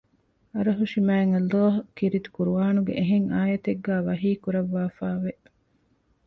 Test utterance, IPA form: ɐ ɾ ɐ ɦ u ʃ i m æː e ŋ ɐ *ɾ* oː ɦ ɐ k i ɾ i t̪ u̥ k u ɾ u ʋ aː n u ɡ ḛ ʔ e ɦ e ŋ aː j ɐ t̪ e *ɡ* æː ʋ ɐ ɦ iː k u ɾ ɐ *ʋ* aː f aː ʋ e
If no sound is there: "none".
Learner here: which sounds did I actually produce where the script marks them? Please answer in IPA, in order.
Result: l, ɡː, ʋː

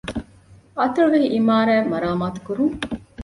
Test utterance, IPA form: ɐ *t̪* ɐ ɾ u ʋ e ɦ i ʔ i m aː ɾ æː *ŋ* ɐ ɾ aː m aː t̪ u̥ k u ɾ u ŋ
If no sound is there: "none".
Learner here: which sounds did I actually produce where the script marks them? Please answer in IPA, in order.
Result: t̪, m

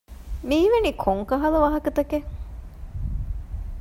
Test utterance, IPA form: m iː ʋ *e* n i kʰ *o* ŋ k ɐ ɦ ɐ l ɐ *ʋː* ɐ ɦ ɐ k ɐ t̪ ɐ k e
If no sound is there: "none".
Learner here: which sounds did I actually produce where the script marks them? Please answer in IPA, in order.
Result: e, o, ʋ

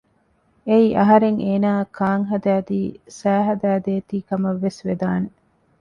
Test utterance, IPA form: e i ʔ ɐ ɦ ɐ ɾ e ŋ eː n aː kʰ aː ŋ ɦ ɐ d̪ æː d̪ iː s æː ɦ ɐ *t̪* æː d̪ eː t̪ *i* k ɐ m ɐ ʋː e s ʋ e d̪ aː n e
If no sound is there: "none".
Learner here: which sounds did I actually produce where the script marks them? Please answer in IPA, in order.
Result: d̪, iː

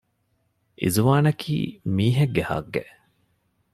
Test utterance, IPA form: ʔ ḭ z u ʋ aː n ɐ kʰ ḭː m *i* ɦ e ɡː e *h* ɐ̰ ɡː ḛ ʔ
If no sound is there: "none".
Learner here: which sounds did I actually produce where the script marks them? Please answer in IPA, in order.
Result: iː, h

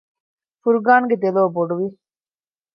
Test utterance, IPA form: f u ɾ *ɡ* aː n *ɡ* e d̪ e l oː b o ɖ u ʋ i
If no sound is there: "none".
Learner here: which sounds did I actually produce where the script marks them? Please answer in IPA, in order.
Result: ɡ, ɡ

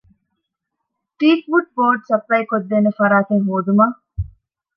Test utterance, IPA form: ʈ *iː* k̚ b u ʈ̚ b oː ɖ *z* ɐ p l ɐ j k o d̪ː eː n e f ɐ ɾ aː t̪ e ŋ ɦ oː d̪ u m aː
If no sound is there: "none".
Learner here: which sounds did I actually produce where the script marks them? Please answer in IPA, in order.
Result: iː, s

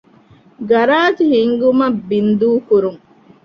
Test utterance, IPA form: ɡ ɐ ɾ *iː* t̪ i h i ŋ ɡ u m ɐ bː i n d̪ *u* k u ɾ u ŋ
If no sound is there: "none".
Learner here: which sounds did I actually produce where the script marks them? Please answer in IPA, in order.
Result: aː, uː

